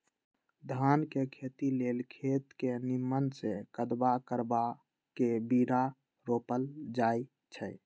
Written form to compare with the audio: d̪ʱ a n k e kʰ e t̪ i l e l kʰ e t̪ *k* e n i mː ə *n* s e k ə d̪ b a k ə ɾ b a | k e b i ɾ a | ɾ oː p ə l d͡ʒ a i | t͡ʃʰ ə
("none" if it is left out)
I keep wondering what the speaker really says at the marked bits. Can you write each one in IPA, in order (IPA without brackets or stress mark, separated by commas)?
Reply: k, n